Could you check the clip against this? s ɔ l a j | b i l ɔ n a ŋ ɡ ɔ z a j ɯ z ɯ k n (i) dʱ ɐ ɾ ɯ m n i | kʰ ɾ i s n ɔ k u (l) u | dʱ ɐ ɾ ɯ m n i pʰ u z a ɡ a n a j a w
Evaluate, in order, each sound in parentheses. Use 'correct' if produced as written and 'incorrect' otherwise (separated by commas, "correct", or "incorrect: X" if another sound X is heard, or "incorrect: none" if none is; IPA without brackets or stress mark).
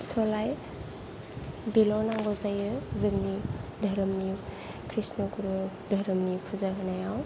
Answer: correct, incorrect: ɾ